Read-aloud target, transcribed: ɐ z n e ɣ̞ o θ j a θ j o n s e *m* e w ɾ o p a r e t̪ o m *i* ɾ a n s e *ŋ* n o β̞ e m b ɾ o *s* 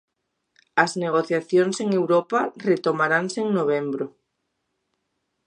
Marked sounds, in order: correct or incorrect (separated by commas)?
incorrect, incorrect, correct, incorrect